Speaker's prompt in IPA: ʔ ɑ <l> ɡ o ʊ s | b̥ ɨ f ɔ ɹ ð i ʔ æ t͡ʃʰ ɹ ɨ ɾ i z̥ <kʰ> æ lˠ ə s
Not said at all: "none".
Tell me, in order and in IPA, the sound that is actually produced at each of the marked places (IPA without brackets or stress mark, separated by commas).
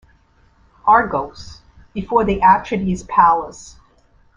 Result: ɹ, pʰ